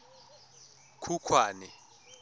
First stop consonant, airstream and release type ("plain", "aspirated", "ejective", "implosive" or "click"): aspirated